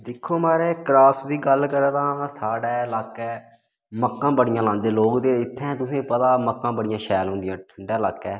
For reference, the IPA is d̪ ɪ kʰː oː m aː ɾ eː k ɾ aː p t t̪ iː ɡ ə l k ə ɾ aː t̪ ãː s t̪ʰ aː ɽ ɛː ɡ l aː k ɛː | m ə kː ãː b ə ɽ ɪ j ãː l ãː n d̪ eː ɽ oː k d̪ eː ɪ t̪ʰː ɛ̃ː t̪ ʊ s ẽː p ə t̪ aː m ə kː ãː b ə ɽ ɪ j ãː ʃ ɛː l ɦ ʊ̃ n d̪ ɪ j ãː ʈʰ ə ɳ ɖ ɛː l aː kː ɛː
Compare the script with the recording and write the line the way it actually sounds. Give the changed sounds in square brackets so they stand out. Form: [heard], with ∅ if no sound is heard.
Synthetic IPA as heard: d̪ ɪ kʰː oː m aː ɾ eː k ɾ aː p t [d̪] iː ɡ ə l k ə ɾ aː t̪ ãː s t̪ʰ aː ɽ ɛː [∅] l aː k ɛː | m ə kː ãː b ə ɽ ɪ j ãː l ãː n d̪ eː [l] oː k d̪ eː ɪ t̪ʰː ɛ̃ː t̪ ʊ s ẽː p ə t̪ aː m ə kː ãː b ə ɽ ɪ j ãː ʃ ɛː l ɦ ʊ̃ n d̪ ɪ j ãː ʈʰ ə ɳ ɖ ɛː l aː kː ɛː